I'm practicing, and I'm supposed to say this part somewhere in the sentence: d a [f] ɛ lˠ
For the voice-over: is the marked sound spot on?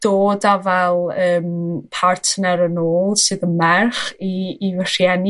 no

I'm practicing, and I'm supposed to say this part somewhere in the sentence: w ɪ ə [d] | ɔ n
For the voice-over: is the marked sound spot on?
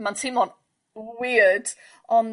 yes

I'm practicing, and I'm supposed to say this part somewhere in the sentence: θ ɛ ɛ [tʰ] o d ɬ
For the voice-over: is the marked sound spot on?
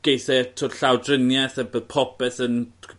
yes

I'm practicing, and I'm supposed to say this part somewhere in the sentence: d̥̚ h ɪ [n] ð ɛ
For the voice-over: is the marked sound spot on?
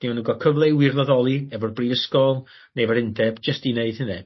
yes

